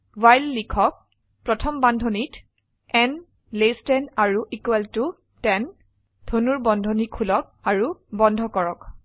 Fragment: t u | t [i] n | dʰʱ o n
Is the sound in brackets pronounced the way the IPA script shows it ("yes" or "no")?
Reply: no